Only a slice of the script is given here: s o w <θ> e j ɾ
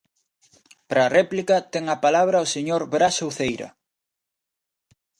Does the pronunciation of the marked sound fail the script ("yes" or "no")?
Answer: no